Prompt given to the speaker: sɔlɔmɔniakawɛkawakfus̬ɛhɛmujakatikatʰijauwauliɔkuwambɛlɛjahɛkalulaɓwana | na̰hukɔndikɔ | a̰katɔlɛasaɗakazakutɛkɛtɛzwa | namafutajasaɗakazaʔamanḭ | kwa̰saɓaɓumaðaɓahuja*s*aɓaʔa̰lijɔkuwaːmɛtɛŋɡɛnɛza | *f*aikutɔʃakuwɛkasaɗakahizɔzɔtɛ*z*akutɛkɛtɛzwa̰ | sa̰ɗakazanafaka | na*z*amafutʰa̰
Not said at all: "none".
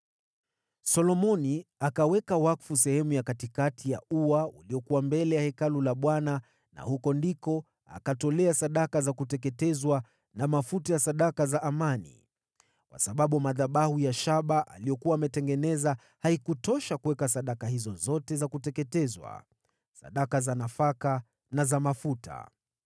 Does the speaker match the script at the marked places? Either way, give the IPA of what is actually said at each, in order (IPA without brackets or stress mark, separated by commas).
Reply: ʃ, h, z, z